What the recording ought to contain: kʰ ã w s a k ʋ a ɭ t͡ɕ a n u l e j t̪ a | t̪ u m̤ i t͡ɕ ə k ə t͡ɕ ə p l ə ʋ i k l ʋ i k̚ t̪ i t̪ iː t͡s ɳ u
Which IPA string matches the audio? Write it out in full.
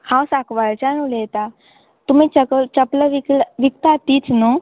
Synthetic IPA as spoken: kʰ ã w s a k ʋ a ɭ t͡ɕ a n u l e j t̪ a | t̪ u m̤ i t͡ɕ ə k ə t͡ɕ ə p l ə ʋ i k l ʋ i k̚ t̪ a t̪ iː t͡s n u